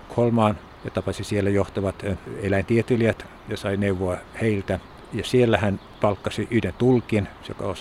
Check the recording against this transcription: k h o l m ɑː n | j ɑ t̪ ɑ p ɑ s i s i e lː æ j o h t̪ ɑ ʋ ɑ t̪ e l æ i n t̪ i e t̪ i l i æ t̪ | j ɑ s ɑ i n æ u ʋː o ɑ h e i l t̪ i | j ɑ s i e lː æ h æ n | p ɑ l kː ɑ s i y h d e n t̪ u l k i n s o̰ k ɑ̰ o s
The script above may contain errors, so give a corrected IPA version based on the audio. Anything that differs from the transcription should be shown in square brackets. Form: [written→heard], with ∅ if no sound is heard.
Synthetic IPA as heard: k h o l m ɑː n | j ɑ t̪ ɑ p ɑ s i s i e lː æ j o h t̪ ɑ ʋ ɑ t̪ e l æ i n t̪ i e t̪ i l i æ t̪ | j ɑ s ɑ i n [æ→e] u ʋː o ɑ h e i l t̪ [i→æ] | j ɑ s i e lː æ h æ n | p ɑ l kː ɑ s i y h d e n t̪ u l k i n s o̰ k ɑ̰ o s